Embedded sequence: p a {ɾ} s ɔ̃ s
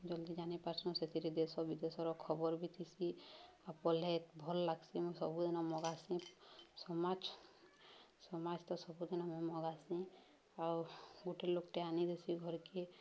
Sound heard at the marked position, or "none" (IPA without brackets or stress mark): ɾ